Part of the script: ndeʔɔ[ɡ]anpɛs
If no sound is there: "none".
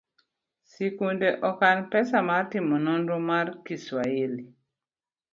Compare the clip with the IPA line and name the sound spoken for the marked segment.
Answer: k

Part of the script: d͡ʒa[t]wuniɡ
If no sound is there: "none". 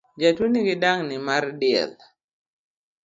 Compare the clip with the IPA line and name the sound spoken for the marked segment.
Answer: t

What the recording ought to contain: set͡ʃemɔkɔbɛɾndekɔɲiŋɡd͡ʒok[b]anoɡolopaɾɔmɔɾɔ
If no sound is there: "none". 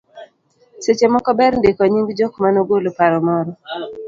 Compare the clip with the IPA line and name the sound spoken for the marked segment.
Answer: m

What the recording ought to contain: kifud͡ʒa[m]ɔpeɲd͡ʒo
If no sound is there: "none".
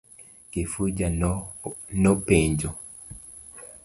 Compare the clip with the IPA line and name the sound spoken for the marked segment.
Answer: n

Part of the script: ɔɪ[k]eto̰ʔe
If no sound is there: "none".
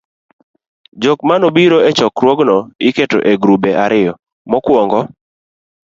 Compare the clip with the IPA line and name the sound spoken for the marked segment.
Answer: k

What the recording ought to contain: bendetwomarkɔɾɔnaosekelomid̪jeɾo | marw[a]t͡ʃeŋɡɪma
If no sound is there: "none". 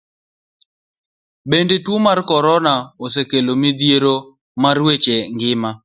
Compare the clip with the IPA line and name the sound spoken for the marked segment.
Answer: e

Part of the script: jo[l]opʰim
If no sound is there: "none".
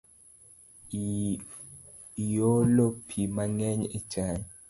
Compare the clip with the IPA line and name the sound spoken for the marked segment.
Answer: l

